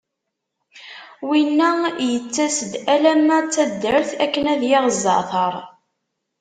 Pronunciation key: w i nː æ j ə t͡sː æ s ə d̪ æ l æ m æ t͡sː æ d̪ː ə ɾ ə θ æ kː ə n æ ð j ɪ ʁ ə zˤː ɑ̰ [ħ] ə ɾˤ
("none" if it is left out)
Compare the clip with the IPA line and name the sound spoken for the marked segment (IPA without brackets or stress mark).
θ